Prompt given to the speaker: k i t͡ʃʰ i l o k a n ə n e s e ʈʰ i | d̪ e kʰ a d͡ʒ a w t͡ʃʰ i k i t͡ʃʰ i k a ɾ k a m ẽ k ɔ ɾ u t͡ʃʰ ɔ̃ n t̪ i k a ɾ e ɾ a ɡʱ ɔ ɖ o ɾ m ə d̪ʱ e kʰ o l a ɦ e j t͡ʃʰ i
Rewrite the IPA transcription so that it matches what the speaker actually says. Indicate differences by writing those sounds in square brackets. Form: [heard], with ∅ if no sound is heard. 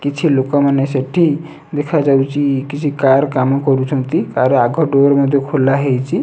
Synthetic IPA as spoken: k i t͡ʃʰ i l o k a [m] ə n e s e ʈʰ i | d̪ e kʰ a d͡ʒ a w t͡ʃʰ i k i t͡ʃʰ i k a ɾ k a m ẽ k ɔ ɾ u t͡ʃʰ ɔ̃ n t̪ i k a ɾ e [∅] a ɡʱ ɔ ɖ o ɾ m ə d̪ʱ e kʰ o l a ɦ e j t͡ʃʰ i